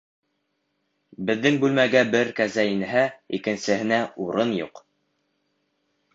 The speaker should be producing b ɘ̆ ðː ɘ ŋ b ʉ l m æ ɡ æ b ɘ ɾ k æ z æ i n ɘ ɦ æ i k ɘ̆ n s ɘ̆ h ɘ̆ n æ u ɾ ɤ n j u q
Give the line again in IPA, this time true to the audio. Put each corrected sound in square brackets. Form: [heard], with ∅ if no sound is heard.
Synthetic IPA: b ɘ̆ ðː ɘ ŋ b ʉ l m æ ɡ æ b ɘ ɾ k æ z æ i n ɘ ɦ æ i k ɘ̆ n s ɘ̆ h ɘ̆ n æ u ɾ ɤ n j u q